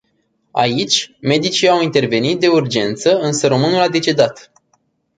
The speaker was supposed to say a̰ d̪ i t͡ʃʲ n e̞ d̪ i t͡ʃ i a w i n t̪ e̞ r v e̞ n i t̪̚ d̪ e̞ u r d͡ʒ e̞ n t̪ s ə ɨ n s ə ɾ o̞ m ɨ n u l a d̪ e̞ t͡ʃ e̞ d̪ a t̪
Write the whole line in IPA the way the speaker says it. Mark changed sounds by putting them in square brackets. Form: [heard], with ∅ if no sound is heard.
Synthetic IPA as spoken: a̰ [∅] i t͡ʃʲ [m] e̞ d̪ i t͡ʃ i a w i n t̪ e̞ r v e̞ n i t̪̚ d̪ e̞ u r d͡ʒ e̞ n t̪ s ə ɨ n s ə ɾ o̞ m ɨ n u l a d̪ e̞ t͡ʃ e̞ d̪ a t̪

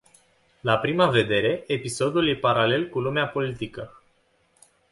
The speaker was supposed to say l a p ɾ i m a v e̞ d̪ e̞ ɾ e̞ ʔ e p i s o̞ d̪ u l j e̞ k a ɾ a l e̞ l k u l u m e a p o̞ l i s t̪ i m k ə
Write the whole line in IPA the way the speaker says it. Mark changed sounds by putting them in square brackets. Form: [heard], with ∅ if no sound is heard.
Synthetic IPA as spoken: l a p ɾ i m a v e̞ d̪ e̞ ɾ e̞ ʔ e p i s o̞ d̪ u l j e̞ [p] a ɾ a l e̞ l k u l u m e a p o̞ l i [∅] t̪ i [∅] k ə

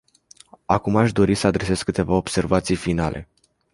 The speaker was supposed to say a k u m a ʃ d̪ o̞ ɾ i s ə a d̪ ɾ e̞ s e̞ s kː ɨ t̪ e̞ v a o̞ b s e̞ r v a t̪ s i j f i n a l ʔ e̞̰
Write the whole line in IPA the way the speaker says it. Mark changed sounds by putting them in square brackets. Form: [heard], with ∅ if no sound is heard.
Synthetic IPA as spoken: a k u m a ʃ d̪ o̞ ɾ i s ə a d̪ ɾ e̞ s e̞ s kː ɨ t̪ e̞ v a o̞ b s e̞ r v a t̪ s i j f i n a l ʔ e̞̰

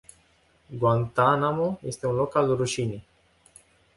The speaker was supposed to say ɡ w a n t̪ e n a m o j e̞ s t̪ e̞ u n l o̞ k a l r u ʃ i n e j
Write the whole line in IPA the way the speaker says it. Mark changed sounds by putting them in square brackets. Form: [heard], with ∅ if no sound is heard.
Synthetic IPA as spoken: ɡ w a n t̪ [a] n a m o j e̞ s t̪ e̞ u n l o̞ k a l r u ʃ i n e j

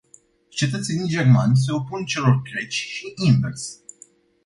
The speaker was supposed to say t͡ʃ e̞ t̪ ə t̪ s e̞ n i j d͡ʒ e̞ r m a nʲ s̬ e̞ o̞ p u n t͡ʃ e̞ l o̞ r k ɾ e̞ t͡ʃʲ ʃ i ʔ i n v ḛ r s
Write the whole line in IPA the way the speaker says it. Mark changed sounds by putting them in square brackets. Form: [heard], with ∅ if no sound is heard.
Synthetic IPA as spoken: t͡ʃ e̞ t̪ ə t̪ s e̞ n i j d͡ʒ e̞ r m a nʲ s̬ e̞ o̞ p u n t͡ʃ e̞ l o̞ r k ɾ e̞ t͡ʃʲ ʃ i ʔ i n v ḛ r s

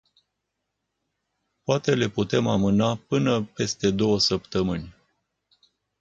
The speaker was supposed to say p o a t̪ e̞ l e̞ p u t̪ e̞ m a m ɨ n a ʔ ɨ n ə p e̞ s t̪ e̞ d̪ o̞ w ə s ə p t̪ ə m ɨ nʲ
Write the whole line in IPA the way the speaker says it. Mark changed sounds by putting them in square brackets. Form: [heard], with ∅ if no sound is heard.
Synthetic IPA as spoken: p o a t̪ e̞ l e̞ p u t̪ e̞ m a m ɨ n a [p] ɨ n ə p e̞ s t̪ e̞ d̪ o̞ w ə s ə p t̪ ə m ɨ nʲ

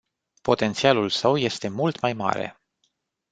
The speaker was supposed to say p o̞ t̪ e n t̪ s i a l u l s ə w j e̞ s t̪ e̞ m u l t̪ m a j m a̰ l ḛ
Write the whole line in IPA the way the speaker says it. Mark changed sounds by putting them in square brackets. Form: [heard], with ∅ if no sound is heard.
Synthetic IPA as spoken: p o̞ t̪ e n t̪ s i a l u l s ə w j e̞ s t̪ e̞ m u l t̪ m a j m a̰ [ɾ] ḛ

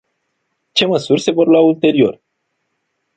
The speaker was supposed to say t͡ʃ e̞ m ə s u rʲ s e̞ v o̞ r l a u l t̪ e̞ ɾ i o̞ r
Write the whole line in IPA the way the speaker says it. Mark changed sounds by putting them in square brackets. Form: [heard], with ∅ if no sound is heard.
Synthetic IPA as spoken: t͡ʃ e̞ m ə s u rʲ s e̞ v o̞ r l a u l t̪ e̞ ɾ i o̞ r

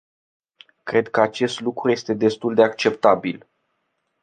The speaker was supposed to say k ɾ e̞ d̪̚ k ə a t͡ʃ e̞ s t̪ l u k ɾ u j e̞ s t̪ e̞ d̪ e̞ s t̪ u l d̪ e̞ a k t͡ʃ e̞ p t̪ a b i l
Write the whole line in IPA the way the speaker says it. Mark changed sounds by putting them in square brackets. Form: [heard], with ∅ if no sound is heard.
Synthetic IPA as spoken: k ɾ e̞ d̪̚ k ə a t͡ʃ e̞ s t̪ l u k ɾ u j e̞ s t̪ e̞ d̪ e̞ s t̪ u l d̪ e̞ a k t͡ʃ e̞ p t̪ a b i l

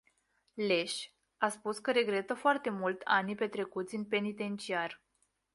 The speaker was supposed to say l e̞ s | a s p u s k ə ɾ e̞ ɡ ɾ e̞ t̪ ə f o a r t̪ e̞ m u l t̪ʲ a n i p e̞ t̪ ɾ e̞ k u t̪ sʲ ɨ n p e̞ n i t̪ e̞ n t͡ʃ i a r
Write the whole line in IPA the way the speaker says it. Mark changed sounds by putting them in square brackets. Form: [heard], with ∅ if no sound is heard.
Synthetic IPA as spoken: l e̞ [ʃ] | a s p u s k ə ɾ e̞ ɡ ɾ e̞ t̪ ə f o a r t̪ e̞ m u l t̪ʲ a n i p e̞ t̪ ɾ e̞ k u t̪ sʲ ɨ n p e̞ n i t̪ e̞ n t͡ʃ i a r

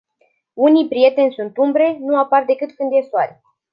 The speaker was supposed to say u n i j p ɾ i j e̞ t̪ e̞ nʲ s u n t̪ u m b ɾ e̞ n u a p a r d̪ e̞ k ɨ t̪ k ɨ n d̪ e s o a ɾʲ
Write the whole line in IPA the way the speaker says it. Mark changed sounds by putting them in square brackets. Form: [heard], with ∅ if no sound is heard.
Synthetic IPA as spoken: u n i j p ɾ i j e̞ t̪ e̞ nʲ s u n t̪ u m b ɾ e̞ n u a p a r d̪ e̞ k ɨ t̪ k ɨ n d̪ e s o a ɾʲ

